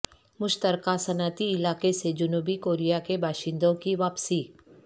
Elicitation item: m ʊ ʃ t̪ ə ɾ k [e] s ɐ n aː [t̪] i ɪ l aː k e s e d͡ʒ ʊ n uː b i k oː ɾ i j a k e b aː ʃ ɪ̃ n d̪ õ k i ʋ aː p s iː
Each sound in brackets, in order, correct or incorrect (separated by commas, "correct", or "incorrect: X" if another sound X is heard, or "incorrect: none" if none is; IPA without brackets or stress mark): incorrect: a, correct